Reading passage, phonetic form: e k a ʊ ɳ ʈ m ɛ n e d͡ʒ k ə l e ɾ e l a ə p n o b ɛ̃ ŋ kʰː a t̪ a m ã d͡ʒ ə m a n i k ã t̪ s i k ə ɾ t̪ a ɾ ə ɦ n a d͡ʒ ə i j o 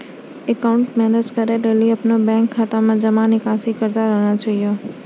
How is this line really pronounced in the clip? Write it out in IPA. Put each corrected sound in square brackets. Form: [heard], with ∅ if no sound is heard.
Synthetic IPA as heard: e k a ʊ ɳ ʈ m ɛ n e d͡ʒ k ə [ɾ] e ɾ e l [i] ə p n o b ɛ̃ ŋ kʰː a t̪ a m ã d͡ʒ ə m a n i k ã [∅] s i k ə ɾ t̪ a ɾ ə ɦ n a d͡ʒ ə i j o